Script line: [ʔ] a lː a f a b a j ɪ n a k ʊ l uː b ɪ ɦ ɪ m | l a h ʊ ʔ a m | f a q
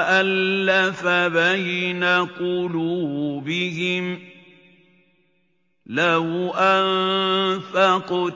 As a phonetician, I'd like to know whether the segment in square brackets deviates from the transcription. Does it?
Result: no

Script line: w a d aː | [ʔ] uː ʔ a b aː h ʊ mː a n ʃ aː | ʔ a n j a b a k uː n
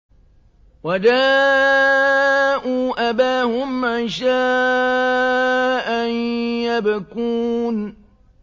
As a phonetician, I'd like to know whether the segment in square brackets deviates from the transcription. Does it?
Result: no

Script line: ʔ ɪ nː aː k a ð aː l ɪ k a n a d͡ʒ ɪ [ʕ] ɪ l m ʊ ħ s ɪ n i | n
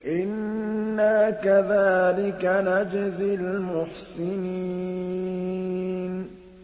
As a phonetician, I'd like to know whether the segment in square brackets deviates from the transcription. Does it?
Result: yes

